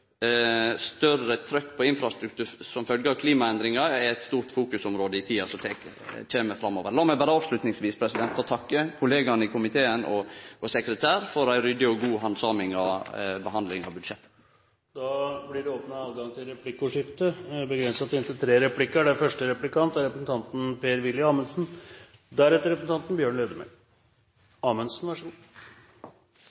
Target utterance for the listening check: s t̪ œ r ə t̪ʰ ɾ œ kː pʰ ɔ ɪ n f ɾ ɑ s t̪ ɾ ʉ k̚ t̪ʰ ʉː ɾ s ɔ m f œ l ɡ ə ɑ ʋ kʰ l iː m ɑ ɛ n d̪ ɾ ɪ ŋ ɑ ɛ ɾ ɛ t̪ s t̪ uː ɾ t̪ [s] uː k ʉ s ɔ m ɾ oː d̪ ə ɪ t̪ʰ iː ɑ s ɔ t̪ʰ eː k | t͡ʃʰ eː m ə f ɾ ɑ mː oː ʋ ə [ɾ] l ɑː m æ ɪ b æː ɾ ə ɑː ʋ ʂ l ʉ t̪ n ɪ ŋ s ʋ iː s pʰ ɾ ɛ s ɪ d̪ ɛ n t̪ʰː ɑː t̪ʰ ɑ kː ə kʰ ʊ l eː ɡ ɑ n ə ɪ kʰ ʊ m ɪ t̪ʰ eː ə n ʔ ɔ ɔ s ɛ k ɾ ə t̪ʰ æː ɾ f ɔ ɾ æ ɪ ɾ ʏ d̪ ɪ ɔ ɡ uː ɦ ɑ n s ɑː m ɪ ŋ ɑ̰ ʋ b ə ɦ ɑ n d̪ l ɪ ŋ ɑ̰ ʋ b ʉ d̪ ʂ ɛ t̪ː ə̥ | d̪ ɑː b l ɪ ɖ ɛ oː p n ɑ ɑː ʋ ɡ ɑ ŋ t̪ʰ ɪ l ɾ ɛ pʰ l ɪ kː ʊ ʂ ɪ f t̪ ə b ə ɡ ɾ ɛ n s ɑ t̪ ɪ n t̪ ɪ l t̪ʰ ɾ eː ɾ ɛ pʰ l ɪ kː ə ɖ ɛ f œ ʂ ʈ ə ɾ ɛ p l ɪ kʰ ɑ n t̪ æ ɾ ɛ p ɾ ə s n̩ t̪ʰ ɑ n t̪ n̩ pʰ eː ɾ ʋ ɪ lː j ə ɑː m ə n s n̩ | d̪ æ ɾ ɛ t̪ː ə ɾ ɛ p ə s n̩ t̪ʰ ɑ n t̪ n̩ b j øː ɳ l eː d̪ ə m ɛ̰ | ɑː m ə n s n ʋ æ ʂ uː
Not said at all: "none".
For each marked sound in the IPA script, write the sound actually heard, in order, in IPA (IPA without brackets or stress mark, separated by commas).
f, ɾ